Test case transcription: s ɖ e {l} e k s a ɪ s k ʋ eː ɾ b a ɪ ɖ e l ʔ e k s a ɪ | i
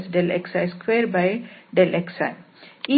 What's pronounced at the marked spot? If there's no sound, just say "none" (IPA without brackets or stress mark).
l